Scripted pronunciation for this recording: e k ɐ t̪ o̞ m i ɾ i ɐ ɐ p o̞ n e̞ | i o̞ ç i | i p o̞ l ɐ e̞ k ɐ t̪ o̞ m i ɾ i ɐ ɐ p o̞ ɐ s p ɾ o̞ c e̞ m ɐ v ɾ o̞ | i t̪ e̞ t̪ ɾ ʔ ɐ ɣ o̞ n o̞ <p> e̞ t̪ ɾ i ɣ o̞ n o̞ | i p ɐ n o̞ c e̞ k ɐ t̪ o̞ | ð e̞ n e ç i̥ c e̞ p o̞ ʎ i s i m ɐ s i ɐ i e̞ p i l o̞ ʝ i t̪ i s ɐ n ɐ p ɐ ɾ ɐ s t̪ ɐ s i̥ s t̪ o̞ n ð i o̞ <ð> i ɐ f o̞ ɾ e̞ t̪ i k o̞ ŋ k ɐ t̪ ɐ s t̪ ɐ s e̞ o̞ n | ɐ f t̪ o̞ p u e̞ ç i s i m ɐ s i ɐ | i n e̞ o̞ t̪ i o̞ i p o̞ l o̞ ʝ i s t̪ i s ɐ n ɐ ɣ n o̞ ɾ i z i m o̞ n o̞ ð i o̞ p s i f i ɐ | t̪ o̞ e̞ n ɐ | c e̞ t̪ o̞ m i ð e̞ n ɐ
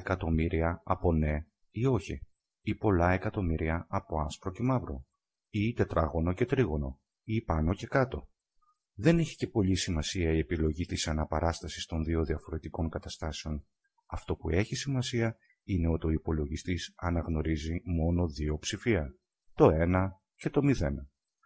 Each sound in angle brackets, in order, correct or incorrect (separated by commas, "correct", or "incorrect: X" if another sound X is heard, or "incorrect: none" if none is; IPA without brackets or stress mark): incorrect: c, correct